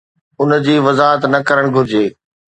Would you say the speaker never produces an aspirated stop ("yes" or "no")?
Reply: yes